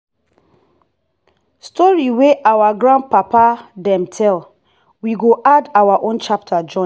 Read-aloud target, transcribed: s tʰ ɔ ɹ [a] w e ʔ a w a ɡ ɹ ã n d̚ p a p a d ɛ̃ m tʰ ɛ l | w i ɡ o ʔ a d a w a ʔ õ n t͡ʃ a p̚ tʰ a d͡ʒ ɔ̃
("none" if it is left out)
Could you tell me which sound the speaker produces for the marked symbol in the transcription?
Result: i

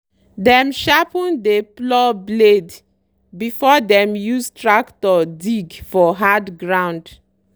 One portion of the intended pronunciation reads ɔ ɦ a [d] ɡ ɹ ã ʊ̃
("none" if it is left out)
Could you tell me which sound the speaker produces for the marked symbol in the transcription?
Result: d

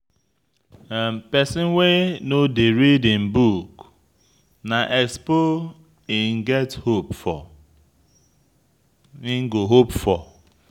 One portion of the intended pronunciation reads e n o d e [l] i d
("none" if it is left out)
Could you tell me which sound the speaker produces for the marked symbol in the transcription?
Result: ɾ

